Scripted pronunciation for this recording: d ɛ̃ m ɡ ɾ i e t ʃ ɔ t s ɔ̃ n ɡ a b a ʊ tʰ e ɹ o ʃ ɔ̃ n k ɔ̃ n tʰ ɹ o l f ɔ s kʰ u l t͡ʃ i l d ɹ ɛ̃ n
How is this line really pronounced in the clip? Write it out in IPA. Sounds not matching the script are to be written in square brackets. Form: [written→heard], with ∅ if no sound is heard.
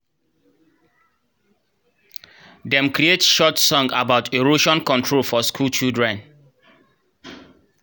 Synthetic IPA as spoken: d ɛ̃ m [ɡ→k] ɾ i e t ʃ ɔ t s ɔ̃ [n→ŋ] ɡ a b a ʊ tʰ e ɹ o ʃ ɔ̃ n k ɔ̃ n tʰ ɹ o l f ɔ s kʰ u l t͡ʃ i l d ɹ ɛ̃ n